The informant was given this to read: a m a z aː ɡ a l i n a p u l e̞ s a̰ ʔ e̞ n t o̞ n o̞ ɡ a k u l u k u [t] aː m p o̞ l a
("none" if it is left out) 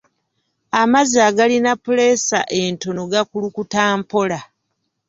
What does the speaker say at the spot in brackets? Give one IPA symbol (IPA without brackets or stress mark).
t